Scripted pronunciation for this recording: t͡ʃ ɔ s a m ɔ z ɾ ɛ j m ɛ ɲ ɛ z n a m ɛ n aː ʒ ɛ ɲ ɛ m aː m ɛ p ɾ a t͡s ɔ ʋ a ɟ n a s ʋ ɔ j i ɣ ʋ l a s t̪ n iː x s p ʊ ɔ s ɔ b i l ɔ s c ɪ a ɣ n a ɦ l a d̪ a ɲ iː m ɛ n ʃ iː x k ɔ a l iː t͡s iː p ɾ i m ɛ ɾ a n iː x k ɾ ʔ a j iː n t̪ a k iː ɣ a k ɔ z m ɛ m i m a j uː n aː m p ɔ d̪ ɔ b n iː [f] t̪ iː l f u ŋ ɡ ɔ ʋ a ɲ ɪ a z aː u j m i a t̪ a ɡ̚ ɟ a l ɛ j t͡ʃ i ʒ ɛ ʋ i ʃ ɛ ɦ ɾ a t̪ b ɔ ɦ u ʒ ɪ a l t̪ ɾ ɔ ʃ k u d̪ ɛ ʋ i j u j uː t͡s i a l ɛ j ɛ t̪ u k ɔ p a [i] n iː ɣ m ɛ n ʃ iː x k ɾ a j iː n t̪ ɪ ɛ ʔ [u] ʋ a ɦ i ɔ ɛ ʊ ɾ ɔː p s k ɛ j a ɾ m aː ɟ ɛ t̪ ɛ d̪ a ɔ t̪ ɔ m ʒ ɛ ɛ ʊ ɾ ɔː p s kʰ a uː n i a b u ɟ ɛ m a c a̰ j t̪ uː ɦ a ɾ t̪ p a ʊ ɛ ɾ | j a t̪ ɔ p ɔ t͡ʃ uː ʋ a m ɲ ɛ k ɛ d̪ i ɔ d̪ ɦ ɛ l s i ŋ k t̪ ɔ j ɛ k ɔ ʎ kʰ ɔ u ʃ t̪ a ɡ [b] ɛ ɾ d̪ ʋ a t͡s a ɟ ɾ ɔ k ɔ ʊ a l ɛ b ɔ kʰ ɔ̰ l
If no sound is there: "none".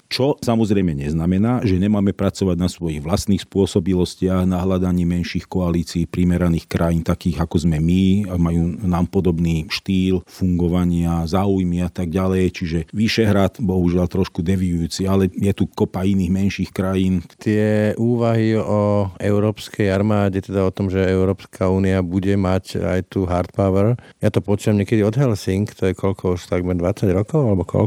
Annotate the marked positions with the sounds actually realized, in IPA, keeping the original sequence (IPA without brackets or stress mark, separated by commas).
ʃ, i, uː, m